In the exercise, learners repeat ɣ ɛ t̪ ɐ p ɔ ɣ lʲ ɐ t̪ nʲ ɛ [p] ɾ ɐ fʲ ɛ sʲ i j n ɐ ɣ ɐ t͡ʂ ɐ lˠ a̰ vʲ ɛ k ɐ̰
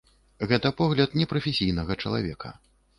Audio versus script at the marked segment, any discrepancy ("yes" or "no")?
no